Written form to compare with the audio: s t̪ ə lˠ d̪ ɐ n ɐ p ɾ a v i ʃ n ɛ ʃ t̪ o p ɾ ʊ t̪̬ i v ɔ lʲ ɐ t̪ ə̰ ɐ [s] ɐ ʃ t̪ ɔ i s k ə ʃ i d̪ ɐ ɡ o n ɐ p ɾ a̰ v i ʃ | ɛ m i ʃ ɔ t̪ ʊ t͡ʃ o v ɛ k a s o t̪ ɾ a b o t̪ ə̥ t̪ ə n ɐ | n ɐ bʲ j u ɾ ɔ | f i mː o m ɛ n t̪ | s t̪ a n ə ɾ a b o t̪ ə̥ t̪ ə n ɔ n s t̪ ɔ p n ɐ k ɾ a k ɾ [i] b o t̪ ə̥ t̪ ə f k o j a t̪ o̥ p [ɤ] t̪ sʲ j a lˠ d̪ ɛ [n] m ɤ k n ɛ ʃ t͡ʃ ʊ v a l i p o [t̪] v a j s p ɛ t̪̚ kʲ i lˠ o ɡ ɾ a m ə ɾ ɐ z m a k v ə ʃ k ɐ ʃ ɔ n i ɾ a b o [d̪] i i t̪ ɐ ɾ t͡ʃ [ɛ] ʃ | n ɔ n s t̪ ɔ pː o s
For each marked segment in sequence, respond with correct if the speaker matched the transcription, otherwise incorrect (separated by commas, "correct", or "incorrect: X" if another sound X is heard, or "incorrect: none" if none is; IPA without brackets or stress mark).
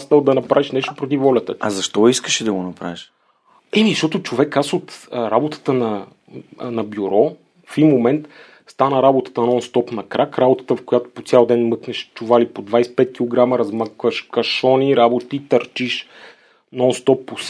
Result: incorrect: z, incorrect: a, incorrect: o, correct, incorrect: d̪, incorrect: t̪, incorrect: i